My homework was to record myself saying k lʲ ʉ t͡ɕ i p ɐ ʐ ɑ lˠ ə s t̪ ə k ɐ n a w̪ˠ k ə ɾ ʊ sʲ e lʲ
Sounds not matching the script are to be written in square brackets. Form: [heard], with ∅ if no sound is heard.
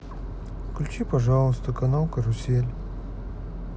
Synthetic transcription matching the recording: k lʲ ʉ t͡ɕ i p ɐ ʐ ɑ lˠ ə s t̪ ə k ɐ n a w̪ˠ k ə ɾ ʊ sʲ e lʲ